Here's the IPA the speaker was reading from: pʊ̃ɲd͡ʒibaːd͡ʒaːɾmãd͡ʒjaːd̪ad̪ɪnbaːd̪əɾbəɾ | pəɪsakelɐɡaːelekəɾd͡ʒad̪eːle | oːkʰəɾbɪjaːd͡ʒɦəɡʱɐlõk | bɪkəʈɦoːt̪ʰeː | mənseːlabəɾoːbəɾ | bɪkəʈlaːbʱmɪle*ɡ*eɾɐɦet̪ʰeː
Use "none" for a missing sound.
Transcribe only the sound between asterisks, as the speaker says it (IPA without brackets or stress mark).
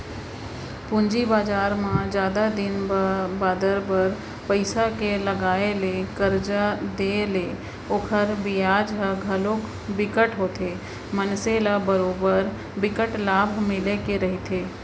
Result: k